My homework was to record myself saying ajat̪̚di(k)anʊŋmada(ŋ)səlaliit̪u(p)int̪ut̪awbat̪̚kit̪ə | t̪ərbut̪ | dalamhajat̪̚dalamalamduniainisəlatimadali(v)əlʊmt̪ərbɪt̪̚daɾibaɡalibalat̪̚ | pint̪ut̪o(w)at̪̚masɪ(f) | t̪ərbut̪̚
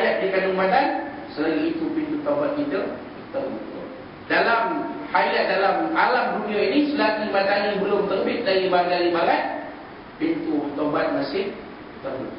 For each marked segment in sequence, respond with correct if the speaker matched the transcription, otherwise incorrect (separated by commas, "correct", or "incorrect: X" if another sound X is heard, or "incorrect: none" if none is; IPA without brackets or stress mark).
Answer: correct, incorrect: n, correct, incorrect: b, incorrect: b, incorrect: h